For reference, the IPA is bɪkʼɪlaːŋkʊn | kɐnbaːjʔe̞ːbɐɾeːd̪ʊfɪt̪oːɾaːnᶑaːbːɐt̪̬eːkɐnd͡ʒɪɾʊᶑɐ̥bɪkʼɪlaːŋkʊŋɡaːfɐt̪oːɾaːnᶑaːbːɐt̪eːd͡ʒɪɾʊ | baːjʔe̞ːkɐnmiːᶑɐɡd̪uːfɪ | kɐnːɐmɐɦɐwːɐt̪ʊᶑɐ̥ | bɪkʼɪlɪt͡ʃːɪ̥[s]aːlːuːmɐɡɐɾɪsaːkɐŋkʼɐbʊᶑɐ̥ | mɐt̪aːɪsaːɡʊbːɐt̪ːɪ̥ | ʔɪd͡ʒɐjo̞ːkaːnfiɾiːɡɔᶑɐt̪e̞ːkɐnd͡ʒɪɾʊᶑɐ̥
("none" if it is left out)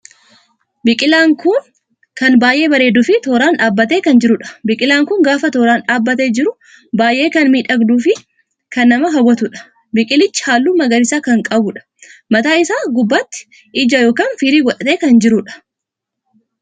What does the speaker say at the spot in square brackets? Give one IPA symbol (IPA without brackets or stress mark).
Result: h